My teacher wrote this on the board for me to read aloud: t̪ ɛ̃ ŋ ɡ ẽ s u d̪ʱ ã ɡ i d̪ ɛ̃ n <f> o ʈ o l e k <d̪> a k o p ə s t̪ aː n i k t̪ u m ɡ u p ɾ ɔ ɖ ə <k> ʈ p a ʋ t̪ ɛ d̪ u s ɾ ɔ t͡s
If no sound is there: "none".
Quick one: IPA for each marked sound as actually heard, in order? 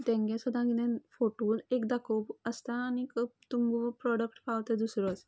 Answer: f, d̪, k

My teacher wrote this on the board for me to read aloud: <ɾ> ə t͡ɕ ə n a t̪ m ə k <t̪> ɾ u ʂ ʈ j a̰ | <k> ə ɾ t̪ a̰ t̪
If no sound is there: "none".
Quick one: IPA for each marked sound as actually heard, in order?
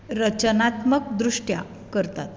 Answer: ɾ, d̪, k

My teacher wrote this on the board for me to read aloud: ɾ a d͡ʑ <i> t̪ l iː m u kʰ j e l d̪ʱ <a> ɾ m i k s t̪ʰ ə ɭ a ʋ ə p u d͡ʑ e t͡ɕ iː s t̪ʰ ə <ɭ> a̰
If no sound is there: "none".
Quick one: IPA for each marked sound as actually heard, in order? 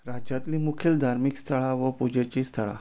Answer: a, a, ɭ

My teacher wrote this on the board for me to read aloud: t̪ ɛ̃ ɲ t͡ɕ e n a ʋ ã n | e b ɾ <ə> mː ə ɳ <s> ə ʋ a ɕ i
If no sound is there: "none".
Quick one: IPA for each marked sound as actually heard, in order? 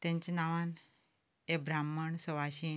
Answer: a, s

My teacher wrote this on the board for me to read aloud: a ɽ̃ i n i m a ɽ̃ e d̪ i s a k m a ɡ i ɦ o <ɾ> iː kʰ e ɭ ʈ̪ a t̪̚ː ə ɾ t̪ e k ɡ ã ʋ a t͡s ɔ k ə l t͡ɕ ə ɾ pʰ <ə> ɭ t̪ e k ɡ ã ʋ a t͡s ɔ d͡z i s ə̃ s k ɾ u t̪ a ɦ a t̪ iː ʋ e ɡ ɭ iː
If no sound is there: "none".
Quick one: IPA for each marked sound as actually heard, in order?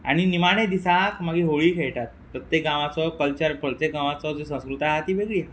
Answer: ɭ, ə

